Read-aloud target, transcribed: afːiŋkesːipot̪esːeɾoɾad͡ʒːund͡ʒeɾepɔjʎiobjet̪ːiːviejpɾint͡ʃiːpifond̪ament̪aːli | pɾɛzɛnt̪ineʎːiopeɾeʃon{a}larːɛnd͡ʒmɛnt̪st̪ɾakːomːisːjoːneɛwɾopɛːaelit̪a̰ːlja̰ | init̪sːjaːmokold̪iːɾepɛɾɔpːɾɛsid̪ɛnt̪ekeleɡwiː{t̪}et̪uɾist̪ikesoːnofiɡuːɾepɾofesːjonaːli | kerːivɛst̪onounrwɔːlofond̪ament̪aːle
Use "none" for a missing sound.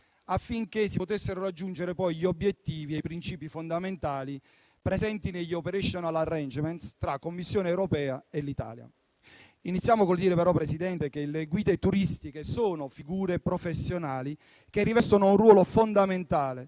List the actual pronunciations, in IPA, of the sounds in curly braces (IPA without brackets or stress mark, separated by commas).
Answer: a, d̪